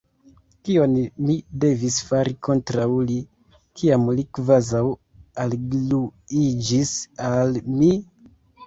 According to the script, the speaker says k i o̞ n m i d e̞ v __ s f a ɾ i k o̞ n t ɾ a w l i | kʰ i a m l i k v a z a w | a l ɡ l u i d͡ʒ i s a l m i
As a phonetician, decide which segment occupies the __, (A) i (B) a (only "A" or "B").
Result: A